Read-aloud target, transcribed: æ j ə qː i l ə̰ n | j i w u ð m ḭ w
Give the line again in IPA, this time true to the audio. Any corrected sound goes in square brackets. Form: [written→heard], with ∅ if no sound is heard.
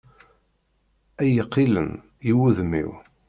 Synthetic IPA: æ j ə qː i l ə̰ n | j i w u ð m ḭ w